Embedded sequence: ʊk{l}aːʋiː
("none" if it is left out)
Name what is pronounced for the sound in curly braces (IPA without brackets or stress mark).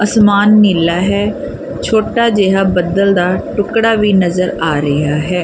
ɽ